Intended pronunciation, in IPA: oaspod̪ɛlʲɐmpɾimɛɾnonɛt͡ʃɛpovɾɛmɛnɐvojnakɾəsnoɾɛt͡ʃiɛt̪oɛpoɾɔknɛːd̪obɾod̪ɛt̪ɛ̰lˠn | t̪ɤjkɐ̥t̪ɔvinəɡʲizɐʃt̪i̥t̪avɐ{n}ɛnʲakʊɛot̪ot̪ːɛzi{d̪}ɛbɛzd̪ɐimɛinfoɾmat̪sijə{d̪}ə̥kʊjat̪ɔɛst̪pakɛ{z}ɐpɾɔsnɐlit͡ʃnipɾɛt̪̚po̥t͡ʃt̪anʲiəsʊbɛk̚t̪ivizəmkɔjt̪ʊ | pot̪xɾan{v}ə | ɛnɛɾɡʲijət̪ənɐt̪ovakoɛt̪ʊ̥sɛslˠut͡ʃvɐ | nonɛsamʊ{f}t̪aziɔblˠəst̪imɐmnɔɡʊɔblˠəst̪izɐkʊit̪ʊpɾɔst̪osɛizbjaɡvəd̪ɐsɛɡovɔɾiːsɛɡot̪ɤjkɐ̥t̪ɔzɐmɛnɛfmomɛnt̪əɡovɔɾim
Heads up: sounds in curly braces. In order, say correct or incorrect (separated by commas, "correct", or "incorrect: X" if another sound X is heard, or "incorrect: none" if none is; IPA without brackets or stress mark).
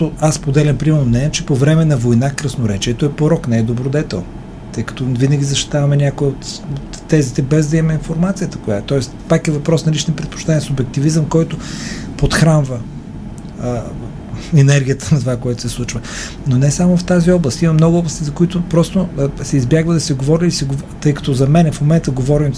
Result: incorrect: m, incorrect: t̪, incorrect: t̪, incorrect: v, correct, correct